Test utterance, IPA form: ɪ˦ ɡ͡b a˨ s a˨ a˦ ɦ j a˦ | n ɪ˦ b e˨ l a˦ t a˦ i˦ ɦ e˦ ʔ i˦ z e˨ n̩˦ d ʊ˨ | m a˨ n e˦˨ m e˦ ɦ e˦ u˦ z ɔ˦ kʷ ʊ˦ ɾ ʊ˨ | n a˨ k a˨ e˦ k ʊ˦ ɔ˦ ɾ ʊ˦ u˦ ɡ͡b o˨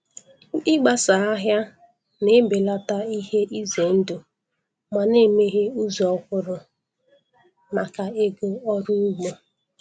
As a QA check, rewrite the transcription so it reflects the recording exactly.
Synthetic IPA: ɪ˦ ɡ͡b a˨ s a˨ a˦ ɦ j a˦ | n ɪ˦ b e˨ l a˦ t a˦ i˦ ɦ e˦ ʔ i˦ z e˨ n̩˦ d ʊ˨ | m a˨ n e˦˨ m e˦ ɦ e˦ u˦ z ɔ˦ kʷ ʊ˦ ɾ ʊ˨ | m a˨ k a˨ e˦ ɡ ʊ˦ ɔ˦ ɾ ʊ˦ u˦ ɡ͡b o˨